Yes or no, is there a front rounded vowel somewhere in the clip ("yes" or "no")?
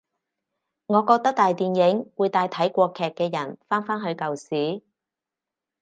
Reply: no